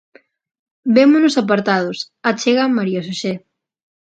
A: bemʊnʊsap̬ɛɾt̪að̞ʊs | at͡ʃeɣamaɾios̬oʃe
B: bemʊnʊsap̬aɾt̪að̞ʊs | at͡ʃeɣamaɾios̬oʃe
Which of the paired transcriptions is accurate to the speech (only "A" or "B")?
B